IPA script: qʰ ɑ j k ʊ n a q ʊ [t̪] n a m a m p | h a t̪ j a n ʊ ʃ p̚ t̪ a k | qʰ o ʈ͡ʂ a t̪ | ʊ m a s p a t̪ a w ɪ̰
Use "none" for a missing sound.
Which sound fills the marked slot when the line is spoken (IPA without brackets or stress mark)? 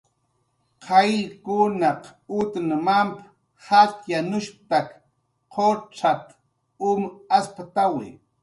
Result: t̪